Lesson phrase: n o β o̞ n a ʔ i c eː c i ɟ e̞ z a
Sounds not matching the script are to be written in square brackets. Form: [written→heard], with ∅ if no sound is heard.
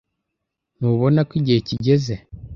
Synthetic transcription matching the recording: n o β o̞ n a [ʔ→k] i [c→ɟ] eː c i ɟ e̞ z [a→e]